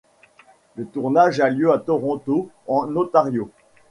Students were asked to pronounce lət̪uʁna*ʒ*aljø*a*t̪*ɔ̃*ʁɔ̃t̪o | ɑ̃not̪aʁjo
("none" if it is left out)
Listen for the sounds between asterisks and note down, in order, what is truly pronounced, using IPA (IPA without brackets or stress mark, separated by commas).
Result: ʒ, a, ɔ